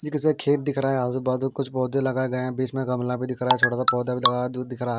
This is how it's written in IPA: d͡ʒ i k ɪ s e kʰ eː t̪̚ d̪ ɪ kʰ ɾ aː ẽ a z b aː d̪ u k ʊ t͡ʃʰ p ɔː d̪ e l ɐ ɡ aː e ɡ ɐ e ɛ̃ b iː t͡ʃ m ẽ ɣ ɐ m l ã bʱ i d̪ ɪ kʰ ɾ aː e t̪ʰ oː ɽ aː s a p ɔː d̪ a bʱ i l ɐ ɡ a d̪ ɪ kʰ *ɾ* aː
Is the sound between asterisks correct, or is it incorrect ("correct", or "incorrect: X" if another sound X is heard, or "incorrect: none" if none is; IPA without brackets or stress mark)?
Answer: correct